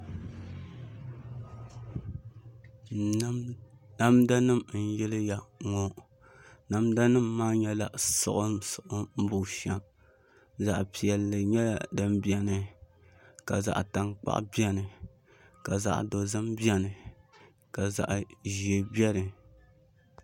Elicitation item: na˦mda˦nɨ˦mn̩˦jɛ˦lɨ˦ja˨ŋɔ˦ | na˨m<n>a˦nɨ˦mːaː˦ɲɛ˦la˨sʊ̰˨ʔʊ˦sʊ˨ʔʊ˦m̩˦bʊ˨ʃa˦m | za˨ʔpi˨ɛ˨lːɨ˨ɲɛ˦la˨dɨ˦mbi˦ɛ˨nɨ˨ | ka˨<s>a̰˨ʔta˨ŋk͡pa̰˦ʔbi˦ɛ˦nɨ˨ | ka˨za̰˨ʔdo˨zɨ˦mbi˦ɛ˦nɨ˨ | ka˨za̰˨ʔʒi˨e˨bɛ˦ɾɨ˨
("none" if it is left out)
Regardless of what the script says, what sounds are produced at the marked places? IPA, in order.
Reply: d, z

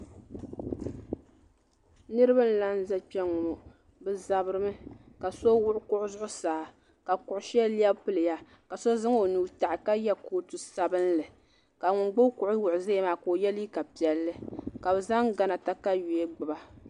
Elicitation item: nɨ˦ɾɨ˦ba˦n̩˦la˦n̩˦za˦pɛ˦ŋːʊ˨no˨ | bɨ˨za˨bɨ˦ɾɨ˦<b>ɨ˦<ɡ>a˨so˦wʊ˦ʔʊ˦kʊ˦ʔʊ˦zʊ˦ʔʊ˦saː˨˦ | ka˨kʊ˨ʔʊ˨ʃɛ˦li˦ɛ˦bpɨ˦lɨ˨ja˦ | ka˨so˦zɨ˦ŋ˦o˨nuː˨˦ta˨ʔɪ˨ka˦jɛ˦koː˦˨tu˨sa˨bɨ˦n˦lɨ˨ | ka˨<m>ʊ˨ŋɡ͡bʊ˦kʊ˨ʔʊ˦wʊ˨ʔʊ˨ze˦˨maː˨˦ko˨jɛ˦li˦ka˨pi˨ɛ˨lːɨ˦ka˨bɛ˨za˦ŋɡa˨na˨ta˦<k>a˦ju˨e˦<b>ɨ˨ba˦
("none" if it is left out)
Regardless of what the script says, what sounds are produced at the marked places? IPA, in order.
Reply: m, k, ŋ, k, ɡ͡b

